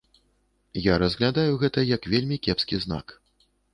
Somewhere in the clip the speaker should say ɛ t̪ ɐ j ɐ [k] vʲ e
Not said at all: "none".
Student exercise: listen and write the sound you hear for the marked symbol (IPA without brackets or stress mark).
k